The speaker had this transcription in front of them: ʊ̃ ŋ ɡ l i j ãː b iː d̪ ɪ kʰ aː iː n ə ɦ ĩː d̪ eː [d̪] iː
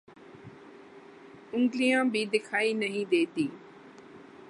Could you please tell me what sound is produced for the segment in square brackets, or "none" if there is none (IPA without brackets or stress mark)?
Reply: t̪